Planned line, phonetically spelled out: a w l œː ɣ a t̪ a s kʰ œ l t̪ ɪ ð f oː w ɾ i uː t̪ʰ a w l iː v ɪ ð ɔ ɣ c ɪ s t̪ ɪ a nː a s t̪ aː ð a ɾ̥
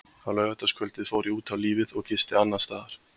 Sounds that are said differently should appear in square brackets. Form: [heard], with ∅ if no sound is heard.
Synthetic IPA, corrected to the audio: a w l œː ɣ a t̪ a s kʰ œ l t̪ ɪ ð f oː w ɾ i uː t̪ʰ a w l iː v ɪ ð ɔ ɣ c ɪ s t̪ ɪ a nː a s t̪ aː ð a ɾ̥

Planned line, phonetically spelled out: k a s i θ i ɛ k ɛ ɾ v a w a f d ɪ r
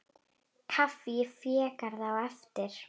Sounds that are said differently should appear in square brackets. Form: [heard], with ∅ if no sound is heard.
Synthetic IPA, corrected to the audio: [kʰ] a [f] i [f] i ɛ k [a] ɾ [ð] a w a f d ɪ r

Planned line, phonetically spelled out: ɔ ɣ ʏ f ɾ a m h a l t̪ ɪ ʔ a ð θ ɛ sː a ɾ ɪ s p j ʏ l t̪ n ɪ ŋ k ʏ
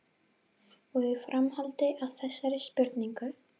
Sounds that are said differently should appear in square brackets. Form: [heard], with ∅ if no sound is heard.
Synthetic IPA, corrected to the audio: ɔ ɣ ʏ f ɾ a m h a l t̪ ɪ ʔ a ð θ ɛ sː a ɾ ɪ s p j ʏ [ɾ] t̪ n [i] ŋ k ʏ

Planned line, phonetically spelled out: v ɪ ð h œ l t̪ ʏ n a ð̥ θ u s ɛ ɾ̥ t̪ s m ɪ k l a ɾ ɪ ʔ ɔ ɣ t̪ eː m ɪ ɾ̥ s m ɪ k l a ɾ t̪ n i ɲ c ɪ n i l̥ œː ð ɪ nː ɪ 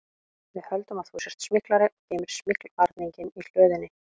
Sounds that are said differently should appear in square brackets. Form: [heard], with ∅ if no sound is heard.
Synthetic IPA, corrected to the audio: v ɪ ð h œ l t̪ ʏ [m] a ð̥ θ u s ɛ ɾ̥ t̪ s m ɪ k l a ɾ ɪ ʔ ɔ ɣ t̪ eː m ɪ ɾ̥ s m ɪ k l a ɾ t̪ n i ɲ c ɪ n i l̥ œː ð ɪ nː ɪ

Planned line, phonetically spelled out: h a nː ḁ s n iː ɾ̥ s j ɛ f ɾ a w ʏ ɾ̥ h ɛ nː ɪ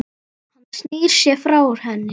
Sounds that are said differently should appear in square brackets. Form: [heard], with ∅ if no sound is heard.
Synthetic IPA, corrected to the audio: h a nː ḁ s n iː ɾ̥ s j ɛ f ɾ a w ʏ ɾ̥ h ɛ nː ɪ

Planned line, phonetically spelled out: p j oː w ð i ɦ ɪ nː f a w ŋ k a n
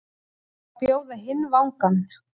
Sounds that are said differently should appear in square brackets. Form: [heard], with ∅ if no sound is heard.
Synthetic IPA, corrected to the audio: p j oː w ð [a] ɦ ɪ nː [v] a w ŋ k a n

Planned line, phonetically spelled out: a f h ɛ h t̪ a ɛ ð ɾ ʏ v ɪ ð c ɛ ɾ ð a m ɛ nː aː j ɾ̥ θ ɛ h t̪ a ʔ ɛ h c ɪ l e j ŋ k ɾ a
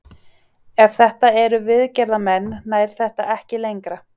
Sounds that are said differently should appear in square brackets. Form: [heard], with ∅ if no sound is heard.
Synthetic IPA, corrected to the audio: [ɛ] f [θ] ɛ h t̪ a ɛ [∅] ɾ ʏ v ɪ ð c ɛ ɾ ð a m ɛ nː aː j ɾ̥ θ ɛ h t̪ a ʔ ɛ h c ɪ l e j ŋ k ɾ a

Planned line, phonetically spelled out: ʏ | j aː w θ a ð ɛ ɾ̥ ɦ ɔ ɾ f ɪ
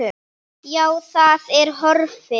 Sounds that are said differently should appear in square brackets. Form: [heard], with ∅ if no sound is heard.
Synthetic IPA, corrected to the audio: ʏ | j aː w θ a ð ɛ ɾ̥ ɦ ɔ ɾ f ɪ

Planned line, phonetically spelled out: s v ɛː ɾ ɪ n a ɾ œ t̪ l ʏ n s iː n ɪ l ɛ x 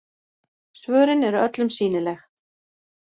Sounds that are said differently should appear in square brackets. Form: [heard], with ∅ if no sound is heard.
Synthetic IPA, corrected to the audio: s v [œː] ɾ ɪ n [ɛ] ɾ œ t̪ l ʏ [m] s iː n ɪ l ɛ x

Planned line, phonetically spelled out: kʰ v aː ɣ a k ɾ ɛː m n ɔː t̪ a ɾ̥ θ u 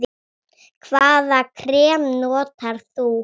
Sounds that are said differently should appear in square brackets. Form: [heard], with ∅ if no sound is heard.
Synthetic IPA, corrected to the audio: kʰ v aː [ð] a [kʰ] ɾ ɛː m n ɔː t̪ a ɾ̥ θ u

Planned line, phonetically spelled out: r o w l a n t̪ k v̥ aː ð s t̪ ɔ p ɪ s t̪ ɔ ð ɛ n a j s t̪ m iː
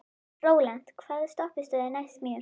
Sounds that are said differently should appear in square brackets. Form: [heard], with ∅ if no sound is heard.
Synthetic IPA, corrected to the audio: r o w l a n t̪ [kʰ] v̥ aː ð s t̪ ɔ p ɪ s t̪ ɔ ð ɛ n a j s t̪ m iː

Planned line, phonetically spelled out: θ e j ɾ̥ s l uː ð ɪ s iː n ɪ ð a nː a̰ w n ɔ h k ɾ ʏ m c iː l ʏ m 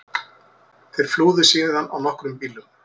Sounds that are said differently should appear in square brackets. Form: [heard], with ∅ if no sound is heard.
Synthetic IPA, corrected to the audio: θ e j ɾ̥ [f] l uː ð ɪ s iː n ɪ ð a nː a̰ w n ɔ h k ɾ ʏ m [p] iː l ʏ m

